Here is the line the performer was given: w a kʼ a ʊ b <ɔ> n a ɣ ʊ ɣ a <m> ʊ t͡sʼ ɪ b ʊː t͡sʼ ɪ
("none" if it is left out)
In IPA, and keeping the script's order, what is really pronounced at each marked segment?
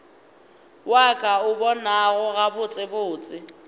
ɔ, b

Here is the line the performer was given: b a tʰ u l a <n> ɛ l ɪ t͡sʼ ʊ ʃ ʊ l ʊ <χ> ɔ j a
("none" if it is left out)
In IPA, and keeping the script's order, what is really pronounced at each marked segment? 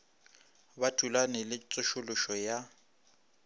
n, ʃ

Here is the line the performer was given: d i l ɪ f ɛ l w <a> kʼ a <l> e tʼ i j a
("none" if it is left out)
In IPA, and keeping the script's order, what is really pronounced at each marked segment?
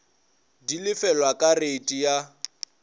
a, r

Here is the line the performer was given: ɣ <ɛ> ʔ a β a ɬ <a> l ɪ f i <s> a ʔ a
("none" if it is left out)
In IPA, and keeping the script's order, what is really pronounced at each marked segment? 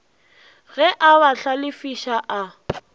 ɛ, a, ʃ

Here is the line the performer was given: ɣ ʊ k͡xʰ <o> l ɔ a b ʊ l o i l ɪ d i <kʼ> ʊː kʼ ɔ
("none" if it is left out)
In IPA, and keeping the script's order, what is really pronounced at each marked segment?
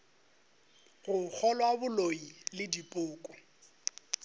ɔ, pʼ

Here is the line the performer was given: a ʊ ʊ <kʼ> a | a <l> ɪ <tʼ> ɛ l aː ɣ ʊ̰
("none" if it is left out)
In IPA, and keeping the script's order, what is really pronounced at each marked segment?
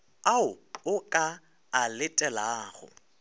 kʼ, l, tʼ

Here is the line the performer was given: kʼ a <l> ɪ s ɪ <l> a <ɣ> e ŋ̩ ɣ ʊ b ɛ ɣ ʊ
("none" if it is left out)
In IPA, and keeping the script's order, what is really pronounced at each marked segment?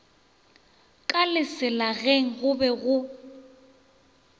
l, l, ɣ

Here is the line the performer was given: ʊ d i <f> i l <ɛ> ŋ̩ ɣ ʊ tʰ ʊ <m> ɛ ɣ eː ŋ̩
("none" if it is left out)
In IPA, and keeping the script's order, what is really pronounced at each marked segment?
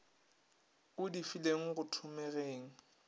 f, e, m

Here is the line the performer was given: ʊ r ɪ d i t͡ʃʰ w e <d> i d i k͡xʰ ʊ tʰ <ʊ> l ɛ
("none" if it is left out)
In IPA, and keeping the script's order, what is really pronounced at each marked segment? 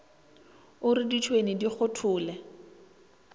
n, ʊː

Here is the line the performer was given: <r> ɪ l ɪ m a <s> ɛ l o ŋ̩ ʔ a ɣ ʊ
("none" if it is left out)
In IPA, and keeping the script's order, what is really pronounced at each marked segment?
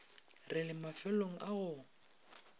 r, f

